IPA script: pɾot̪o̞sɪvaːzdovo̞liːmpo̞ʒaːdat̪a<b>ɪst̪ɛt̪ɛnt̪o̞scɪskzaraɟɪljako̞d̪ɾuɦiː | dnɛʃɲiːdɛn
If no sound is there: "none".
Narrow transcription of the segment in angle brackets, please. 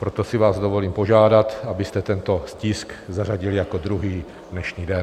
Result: b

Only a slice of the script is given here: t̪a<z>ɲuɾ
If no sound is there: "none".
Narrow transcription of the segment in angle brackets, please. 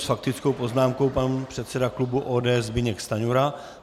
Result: none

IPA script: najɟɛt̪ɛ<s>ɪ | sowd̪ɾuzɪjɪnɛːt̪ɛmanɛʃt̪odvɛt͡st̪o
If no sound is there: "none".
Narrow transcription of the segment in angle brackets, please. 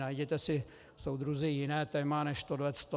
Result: s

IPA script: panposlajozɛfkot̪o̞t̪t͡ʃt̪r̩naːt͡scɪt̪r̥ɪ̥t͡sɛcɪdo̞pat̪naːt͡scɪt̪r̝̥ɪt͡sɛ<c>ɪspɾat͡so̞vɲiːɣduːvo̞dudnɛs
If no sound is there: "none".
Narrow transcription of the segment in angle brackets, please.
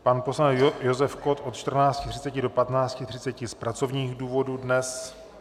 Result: c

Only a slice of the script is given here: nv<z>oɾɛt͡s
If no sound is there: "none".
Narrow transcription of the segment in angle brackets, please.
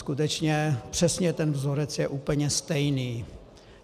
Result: z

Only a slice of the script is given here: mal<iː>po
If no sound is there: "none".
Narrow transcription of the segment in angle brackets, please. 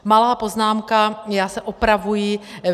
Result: aː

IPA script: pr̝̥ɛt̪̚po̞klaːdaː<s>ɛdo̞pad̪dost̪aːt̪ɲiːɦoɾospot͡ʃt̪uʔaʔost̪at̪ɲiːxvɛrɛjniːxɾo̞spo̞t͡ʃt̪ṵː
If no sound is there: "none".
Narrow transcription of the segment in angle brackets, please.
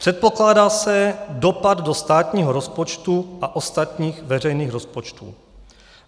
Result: s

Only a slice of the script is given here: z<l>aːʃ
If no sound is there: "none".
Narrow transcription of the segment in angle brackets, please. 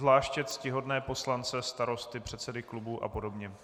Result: l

